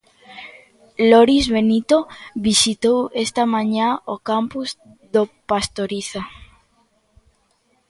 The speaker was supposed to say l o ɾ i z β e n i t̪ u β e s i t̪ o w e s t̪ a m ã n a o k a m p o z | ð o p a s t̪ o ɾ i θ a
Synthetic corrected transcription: l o ɾ i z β e n i t̪ o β i s i t̪ o w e s t̪ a m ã ɲ a o k a m p u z | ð o p a s t̪ o ɾ i θ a